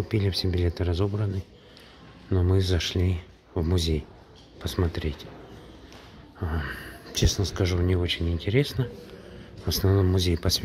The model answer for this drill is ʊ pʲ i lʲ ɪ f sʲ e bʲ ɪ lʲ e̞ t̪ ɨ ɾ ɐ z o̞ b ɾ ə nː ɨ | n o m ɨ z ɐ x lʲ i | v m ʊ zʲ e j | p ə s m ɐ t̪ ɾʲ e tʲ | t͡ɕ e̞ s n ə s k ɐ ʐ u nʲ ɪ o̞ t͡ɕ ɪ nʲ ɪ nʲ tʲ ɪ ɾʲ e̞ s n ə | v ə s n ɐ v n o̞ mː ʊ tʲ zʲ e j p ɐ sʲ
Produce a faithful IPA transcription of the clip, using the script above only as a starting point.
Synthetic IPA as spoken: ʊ pʲ i lʲ ɪ f sʲ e bʲ ɪ lʲ e̞ t̪ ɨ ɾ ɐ z o̞ b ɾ ə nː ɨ | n o m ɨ z ɐ ʂ lʲ i | v m ʊ zʲ e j | p ə s m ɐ t̪ ɾʲ e tʲ | t͡ɕ e̞ s n ə s k ɐ ʐ u nʲ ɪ o̞ t͡ɕ ɪ nʲ ɪ nʲ tʲ ɪ ɾʲ e̞ s n ə | v ə s n ɐ v n o̞ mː ʊ zʲ e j p ɐ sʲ